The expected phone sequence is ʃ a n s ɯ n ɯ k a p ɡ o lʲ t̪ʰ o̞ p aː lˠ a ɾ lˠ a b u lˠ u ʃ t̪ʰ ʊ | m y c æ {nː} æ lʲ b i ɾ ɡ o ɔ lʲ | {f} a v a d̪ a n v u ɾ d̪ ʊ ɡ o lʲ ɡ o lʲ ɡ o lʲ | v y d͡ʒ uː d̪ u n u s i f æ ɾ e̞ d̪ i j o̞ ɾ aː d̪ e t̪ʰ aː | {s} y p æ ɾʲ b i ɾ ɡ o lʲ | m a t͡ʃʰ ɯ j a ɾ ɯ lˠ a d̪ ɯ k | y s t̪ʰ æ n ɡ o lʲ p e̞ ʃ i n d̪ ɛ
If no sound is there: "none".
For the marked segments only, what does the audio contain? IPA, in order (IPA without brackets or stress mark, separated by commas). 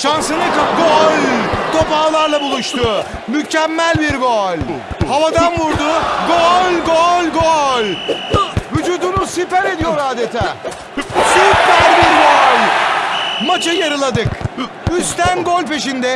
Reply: mː, h, s